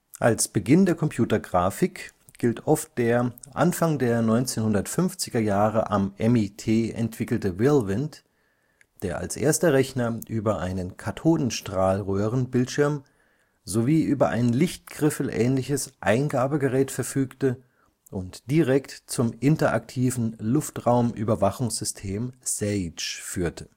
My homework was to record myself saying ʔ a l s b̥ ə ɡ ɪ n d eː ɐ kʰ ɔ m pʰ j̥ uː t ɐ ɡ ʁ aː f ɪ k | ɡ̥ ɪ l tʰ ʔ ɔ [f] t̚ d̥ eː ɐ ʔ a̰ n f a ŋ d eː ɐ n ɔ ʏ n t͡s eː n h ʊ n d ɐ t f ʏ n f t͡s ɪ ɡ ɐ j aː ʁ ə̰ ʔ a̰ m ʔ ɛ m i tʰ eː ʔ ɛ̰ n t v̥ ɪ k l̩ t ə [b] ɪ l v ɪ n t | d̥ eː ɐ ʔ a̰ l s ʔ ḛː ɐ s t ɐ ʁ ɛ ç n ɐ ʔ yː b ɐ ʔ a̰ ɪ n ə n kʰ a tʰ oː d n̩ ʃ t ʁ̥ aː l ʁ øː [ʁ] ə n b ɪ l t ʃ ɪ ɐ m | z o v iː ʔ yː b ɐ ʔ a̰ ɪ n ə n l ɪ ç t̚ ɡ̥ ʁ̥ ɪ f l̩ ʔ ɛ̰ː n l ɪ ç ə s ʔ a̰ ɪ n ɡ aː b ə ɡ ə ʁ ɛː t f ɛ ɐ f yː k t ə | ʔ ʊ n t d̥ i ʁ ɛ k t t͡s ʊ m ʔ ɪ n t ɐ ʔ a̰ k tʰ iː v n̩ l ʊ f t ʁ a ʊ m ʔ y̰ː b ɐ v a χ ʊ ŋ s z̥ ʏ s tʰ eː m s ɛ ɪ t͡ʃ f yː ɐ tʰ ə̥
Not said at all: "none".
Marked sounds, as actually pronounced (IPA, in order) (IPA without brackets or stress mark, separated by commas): f, v, ʁ